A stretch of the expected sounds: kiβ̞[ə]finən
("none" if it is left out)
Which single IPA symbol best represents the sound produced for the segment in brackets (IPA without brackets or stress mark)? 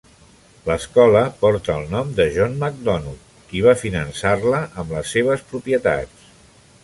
a